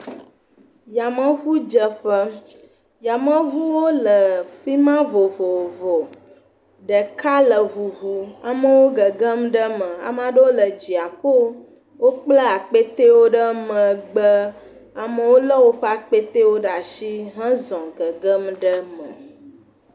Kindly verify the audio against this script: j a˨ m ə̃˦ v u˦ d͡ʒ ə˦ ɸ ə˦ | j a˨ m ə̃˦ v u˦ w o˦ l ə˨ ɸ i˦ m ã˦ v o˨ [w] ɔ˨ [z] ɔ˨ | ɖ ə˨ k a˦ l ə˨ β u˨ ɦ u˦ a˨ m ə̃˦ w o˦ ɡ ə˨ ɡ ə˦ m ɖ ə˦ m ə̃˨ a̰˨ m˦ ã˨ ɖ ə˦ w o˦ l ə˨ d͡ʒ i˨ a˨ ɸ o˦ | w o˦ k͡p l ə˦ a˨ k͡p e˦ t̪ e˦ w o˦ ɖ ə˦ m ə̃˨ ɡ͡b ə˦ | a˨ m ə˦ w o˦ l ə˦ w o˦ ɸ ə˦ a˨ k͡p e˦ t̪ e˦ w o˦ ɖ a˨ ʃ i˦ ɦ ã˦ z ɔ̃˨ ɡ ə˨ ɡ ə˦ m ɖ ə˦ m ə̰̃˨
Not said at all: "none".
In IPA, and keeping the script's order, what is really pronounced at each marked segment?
v, v

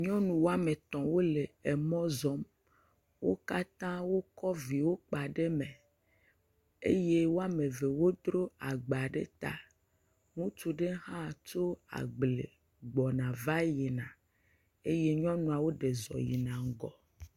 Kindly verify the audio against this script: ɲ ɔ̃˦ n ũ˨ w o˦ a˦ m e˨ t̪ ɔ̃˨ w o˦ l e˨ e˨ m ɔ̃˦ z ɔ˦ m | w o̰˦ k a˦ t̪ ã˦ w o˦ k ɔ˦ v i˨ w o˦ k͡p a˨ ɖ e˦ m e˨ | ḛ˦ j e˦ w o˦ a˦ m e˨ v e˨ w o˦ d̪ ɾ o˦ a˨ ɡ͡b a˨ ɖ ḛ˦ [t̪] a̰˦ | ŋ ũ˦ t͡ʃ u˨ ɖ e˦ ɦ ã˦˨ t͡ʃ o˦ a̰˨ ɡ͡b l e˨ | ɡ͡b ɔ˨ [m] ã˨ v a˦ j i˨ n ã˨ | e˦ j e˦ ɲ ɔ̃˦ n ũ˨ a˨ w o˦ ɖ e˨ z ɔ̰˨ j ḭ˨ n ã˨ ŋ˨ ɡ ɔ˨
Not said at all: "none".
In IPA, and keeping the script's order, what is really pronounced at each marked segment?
t̪, n

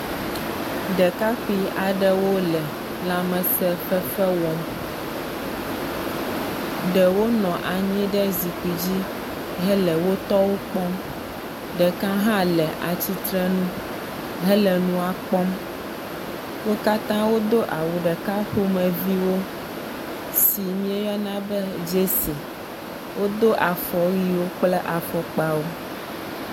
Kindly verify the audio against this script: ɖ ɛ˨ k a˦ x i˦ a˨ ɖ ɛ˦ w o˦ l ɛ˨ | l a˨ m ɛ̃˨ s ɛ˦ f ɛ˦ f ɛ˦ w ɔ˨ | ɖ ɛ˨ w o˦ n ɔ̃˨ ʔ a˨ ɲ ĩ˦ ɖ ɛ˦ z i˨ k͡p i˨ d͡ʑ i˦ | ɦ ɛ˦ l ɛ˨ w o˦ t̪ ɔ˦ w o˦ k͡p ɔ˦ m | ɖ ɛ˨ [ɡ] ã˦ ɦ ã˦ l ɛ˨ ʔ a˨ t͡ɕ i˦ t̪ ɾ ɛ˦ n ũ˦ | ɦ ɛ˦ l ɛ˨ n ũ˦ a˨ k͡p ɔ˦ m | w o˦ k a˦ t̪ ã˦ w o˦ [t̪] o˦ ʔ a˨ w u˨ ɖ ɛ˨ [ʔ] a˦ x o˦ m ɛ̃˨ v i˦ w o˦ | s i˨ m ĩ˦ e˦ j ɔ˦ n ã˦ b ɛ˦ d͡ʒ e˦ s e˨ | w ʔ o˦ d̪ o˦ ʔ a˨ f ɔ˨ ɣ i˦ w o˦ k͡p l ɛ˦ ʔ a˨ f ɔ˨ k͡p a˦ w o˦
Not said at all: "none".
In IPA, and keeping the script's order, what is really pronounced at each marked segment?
k, d̪, k

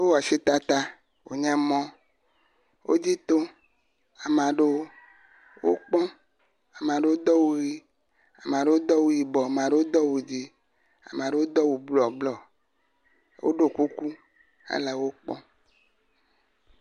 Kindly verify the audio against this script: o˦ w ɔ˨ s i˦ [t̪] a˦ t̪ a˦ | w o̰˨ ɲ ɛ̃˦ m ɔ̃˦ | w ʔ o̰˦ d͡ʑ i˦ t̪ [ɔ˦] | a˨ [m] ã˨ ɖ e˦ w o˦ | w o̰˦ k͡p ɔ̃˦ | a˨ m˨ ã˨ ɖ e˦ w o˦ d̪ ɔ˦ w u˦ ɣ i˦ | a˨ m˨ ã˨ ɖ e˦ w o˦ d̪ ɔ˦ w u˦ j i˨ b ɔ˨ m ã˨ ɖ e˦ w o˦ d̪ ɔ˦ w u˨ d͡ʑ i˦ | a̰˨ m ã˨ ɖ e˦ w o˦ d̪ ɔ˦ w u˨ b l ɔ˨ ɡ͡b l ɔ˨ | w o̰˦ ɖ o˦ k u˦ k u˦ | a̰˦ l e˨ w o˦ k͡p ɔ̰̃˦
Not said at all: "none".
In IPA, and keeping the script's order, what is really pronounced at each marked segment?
t̪, o˦, m

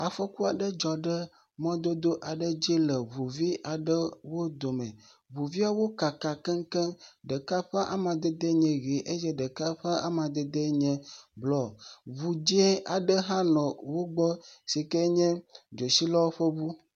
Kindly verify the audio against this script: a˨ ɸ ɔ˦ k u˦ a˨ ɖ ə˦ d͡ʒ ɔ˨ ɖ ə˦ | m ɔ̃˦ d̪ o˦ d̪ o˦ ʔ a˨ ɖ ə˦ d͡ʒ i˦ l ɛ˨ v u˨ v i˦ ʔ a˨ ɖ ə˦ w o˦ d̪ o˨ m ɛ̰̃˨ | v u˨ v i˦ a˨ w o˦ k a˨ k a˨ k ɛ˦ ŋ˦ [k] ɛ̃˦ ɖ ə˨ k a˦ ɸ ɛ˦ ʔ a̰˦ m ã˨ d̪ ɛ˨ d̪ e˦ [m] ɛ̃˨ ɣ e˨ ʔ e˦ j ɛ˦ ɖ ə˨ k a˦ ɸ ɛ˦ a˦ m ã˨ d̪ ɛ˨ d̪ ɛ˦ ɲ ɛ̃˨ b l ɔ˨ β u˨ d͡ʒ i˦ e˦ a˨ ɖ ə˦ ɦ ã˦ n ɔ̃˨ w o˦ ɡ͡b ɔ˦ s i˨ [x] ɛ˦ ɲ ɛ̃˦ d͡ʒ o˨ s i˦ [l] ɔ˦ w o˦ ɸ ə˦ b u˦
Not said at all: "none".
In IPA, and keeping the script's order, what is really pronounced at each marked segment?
k, ɲ, k, l

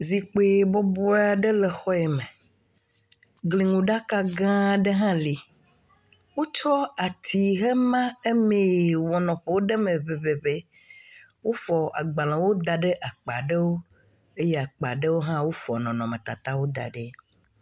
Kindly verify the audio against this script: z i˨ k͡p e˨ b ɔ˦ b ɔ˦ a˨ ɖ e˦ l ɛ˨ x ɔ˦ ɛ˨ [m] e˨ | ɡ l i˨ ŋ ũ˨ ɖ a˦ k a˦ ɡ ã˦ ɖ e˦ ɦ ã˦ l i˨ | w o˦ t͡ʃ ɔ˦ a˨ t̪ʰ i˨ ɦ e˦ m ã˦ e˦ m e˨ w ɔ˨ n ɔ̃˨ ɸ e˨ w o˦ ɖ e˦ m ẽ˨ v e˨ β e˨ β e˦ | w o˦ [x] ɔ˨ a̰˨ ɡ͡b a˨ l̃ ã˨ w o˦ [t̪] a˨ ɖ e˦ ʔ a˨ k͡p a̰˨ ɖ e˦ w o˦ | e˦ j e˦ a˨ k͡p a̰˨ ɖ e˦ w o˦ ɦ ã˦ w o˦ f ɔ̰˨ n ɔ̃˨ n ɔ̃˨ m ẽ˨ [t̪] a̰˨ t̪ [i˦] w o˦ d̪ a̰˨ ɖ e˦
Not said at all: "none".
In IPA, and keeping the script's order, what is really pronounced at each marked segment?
m, f, d̪, t̪, a˦

